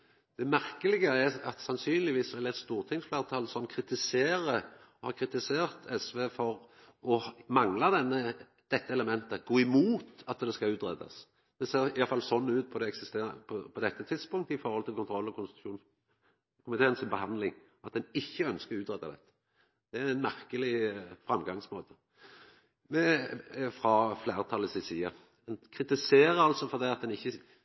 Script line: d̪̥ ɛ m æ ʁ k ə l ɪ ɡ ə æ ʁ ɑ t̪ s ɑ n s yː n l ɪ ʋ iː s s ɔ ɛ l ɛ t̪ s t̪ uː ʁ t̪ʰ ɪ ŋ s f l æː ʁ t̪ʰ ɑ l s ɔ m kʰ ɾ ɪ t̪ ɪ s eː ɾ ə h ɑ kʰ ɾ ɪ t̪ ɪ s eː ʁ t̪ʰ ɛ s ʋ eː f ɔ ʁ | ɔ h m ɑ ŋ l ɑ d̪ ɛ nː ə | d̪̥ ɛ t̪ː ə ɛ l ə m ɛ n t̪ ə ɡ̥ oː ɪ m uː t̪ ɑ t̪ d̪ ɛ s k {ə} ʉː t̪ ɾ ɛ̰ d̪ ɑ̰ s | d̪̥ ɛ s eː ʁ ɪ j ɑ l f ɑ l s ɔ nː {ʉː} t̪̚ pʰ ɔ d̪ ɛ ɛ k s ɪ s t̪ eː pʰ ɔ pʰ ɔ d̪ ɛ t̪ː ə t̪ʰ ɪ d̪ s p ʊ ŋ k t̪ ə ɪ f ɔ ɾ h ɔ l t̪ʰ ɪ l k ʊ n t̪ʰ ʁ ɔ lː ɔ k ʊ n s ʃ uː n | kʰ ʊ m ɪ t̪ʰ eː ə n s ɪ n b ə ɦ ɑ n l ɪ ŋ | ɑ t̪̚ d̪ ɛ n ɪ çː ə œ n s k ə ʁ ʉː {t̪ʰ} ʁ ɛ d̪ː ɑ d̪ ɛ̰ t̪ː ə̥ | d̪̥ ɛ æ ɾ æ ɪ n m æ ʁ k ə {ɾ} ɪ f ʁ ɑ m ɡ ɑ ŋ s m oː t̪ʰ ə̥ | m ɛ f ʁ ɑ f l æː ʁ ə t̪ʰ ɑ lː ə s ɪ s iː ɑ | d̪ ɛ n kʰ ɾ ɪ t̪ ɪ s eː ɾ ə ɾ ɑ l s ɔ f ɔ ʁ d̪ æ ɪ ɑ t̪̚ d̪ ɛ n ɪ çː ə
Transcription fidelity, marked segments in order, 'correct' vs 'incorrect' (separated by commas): incorrect, correct, incorrect, incorrect